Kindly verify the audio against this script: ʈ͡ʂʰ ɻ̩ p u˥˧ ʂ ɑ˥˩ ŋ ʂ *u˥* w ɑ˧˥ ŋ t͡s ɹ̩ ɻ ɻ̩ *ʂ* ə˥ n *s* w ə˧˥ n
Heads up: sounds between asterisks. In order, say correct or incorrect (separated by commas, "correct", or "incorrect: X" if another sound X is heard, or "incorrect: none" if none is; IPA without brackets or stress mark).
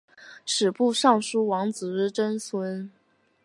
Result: correct, incorrect: ʈ͡ʂ, correct